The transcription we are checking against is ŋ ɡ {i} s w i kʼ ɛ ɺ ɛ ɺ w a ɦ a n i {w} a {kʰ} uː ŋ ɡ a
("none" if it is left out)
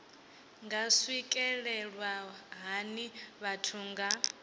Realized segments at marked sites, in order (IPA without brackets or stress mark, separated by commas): a, β, tʰ